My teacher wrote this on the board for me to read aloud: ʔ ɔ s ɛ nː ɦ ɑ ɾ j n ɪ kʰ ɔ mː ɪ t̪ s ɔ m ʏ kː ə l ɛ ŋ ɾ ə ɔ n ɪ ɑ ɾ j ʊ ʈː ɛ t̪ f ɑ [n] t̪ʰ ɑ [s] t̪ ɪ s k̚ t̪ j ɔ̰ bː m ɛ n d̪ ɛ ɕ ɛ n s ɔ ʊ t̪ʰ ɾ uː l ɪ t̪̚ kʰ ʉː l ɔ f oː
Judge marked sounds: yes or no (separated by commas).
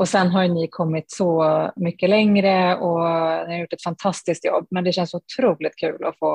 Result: yes, yes